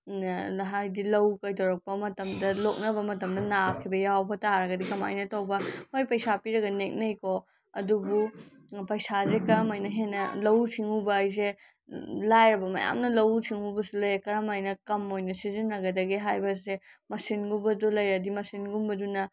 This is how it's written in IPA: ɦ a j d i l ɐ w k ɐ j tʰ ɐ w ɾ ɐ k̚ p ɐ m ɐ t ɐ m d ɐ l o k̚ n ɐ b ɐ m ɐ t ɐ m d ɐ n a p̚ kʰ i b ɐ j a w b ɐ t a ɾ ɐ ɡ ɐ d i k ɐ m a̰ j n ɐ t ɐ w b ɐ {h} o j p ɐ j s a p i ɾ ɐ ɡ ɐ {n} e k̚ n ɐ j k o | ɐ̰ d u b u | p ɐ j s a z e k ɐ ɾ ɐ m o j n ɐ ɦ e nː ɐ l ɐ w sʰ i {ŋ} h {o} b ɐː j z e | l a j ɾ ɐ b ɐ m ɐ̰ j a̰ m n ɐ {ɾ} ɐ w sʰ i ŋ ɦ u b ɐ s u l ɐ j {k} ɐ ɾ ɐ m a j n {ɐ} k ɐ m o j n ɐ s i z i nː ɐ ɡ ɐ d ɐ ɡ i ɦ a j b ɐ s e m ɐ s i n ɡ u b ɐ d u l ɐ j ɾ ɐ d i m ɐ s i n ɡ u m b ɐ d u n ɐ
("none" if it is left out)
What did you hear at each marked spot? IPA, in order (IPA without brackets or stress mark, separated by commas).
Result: h, n, ŋ, u, l, k, ɐ